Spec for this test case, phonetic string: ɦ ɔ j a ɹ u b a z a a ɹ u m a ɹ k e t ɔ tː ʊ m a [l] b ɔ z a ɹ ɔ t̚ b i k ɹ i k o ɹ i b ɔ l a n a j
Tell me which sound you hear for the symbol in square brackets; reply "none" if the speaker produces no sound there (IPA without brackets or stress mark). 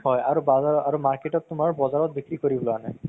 ɹ